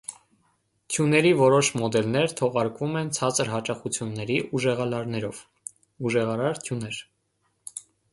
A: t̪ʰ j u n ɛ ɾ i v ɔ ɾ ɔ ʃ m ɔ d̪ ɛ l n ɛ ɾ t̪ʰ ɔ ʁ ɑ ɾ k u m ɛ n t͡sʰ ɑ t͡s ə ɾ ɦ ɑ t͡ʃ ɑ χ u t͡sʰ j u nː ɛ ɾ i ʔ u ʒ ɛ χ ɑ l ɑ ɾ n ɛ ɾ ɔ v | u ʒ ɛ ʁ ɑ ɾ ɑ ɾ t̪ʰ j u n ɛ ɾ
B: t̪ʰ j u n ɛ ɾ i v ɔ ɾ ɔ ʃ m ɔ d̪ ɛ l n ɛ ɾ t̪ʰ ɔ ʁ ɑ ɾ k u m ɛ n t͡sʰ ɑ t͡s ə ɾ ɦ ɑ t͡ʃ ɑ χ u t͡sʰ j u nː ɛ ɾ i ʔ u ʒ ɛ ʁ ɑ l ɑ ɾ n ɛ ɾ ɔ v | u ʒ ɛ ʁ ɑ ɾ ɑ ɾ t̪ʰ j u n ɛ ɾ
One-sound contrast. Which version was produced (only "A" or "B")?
B